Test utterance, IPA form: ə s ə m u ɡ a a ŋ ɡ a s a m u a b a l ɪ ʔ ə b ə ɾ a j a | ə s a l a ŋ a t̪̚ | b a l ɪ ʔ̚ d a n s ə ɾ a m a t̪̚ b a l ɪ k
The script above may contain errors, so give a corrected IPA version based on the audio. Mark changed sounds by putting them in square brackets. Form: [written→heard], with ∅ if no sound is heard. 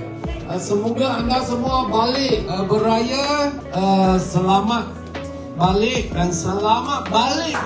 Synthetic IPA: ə s ə m u ɡ a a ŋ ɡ a s [a→ə] m u a b a l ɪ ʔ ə b ə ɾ a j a | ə s [a→ə] l a [ŋ→m] a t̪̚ | b a l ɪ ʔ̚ d a n s ə [ɾ→l] a m a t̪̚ b a l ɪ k